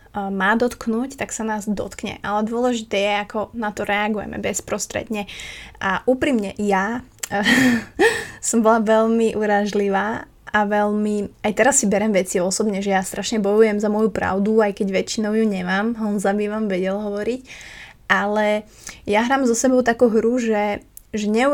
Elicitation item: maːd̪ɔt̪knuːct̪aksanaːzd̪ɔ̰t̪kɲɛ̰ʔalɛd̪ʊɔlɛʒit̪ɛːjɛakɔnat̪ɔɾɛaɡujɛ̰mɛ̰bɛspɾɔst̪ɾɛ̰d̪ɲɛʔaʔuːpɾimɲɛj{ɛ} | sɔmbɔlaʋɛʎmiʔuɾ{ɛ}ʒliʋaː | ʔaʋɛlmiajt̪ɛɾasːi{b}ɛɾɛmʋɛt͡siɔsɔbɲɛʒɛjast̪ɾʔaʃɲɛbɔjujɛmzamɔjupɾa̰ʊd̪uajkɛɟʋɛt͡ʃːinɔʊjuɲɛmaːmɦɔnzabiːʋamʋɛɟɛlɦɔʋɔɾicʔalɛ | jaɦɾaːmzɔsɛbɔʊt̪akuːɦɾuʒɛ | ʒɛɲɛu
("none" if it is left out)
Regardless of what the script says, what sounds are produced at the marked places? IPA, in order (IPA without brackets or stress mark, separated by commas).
a, a, b